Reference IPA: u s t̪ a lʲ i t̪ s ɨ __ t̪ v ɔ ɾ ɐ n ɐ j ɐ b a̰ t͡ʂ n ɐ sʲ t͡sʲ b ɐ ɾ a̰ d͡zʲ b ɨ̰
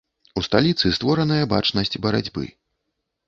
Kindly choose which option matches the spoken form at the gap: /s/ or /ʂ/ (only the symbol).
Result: s